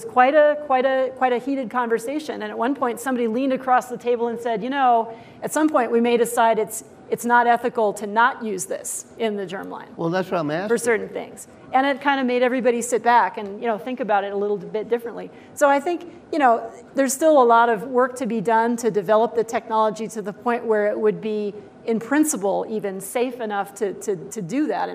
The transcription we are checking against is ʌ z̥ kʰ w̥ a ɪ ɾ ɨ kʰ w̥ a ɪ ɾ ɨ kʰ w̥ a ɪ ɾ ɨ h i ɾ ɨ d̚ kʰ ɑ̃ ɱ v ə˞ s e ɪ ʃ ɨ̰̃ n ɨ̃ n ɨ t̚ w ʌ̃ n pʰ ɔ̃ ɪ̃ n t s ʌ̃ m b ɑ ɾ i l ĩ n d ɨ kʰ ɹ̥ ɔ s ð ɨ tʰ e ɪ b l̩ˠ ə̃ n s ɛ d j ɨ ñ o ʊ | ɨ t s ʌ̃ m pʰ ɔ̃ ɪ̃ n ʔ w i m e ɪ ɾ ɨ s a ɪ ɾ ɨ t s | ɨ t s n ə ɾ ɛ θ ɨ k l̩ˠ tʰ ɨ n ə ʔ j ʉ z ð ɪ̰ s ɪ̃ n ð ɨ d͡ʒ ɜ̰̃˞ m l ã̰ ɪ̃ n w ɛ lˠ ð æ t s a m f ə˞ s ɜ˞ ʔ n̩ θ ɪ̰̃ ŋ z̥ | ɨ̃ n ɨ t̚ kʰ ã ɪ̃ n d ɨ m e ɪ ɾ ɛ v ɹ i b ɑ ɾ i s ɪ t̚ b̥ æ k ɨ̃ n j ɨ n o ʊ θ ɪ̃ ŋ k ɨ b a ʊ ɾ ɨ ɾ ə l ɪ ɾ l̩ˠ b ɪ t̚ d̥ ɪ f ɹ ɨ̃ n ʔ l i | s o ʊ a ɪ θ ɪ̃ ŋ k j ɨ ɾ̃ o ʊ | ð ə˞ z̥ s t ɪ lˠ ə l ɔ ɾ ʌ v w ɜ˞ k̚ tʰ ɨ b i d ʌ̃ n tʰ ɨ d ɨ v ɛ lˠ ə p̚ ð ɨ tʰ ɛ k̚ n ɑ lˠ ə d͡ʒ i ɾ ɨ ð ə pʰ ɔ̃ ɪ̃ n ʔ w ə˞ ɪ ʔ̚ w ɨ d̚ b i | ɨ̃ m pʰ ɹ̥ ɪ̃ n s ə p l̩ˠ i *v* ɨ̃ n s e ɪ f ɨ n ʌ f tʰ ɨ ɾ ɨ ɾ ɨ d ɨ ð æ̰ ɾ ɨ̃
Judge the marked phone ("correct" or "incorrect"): correct